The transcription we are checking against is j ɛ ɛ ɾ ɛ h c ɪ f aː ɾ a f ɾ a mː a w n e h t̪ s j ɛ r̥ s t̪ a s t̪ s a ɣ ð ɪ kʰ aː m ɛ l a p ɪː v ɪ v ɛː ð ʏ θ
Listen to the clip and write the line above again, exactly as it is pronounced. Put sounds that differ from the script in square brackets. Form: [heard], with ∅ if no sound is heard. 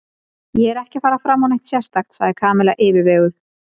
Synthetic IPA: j ɛ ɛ ɾ ɛ h c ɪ f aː ɾ a f ɾ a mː a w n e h t̪ s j ɛ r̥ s t̪ a [x] t̪ s a ɣ ð ɪ kʰ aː m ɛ l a [ʔ] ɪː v ɪ v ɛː [ɣ] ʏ θ

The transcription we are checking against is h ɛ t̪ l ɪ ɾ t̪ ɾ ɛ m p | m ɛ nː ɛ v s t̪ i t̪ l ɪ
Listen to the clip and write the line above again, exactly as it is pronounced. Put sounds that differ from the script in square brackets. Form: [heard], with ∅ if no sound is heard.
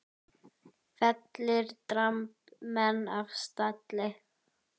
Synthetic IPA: [f] ɛ t̪ l ɪ ɾ t̪ ɾ [a] m p | m ɛ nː [a] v s t̪ [a] t̪ l ɪ

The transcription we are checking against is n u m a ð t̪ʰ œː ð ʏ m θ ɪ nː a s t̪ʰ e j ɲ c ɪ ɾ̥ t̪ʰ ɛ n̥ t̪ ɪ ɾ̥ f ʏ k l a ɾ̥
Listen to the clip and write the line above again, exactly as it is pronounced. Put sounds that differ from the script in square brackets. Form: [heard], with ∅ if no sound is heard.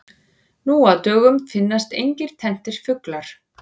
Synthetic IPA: n u [∅] a ð [t̪] œː [ɣ] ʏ m [f] ɪ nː a s [t̪] e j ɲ c ɪ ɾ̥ t̪ʰ ɛ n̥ t̪ ɪ ɾ̥ f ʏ k l a ɾ̥

